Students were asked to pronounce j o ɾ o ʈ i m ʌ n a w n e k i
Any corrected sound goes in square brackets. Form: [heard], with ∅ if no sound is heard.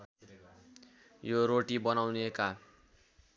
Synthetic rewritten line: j o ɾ o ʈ i [b] ʌ n a w n e k [a]